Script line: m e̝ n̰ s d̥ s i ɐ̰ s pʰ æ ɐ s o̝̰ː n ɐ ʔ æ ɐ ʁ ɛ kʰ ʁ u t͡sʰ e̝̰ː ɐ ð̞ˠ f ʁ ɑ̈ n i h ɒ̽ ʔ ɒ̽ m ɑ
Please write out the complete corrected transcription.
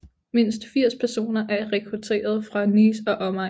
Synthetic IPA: m e̝ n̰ s d̥ f i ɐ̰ s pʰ æ ɐ s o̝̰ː n ɐ ʔ æ ɐ ʁ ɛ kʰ ʁ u t͡sʰ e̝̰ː ɐ ð̞ˠ f ʁ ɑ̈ n i s ɒ̽ ʔ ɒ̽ m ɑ